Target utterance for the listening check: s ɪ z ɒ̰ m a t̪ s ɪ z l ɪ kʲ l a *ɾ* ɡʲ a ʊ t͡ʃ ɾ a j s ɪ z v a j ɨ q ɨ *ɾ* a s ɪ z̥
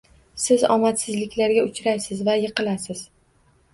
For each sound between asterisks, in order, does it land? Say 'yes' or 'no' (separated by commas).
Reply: yes, no